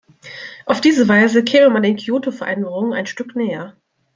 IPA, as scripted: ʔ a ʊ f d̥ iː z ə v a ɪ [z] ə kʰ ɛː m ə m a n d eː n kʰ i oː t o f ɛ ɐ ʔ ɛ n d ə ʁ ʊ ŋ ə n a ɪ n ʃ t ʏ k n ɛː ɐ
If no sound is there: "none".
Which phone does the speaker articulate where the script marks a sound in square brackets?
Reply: z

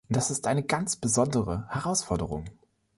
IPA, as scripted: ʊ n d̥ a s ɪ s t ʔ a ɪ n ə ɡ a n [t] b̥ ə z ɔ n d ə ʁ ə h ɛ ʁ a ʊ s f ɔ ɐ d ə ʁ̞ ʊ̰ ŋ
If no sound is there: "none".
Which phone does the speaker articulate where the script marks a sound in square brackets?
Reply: t͡s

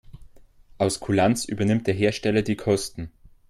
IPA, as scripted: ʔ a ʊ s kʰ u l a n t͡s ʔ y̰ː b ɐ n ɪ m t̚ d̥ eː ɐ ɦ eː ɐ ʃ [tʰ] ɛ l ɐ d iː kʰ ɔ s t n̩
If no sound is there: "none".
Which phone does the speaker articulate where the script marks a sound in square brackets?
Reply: t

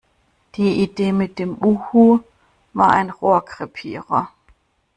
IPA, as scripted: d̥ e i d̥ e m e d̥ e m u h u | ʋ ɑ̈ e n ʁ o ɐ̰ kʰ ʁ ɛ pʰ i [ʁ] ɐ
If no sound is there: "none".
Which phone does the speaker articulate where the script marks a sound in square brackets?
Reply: ʁ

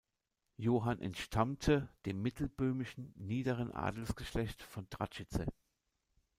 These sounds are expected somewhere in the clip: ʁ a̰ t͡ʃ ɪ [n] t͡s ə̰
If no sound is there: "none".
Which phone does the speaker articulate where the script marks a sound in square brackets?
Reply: none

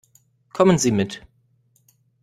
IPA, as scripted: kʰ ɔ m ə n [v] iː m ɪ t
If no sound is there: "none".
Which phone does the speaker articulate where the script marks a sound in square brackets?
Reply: z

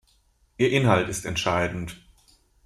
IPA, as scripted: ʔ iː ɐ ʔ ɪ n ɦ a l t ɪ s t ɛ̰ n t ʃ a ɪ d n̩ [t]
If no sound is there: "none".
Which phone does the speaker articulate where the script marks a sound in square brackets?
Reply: t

